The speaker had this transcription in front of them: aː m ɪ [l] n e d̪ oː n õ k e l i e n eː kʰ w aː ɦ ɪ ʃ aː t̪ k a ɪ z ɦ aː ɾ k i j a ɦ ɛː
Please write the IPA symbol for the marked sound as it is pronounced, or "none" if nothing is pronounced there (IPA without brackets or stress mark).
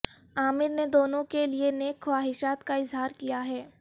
ɾ